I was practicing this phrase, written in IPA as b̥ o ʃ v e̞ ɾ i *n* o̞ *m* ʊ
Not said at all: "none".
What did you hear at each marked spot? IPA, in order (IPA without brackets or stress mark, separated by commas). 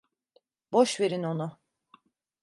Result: n, n